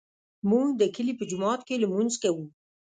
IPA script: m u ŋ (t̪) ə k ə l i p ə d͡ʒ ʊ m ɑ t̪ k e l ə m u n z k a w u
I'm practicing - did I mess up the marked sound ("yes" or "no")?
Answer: yes